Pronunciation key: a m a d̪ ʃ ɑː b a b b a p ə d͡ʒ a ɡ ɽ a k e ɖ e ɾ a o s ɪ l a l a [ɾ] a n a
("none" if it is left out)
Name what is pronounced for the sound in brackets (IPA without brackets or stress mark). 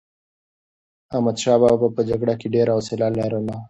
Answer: ɾ